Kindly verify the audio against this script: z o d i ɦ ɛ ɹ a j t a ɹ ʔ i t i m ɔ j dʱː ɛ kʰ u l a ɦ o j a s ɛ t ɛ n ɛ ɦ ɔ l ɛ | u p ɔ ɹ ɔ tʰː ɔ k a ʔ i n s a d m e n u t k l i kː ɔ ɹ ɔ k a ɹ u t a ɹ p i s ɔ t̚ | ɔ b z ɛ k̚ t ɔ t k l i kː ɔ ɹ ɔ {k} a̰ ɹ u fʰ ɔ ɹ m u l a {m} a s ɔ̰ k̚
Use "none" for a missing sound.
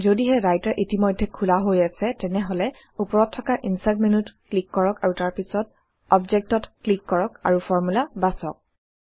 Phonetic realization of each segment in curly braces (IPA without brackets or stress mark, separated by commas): k, b